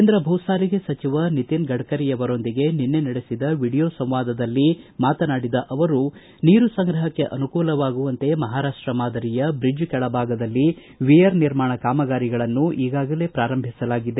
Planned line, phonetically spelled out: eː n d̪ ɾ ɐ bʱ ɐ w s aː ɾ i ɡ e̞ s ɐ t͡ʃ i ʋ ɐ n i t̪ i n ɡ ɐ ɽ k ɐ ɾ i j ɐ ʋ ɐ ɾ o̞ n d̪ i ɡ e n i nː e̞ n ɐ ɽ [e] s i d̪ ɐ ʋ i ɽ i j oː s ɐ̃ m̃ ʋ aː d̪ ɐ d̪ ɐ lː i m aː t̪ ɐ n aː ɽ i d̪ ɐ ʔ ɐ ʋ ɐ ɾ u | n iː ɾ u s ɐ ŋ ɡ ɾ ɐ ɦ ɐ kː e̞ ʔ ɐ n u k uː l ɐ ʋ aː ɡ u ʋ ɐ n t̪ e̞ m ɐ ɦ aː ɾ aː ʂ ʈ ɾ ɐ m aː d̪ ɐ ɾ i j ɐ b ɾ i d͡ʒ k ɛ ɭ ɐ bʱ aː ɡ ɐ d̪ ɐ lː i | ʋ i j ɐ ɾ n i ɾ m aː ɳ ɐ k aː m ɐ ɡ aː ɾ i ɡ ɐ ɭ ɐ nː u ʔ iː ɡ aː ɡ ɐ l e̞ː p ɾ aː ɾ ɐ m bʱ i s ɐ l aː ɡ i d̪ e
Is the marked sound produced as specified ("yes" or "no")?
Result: yes